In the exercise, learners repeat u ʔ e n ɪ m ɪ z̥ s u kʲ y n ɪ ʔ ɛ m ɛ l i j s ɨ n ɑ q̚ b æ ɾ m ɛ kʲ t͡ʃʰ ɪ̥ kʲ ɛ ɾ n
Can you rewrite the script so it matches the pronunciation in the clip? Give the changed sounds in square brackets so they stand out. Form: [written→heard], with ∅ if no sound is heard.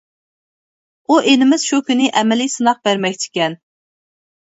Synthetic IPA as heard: u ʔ e n ɪ m ɪ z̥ [s→ʃ] u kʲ y n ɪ ʔ ɛ m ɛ l i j s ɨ n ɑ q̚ b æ ɾ m ɛ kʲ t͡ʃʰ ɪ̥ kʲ ɛ [ɾ→∅] n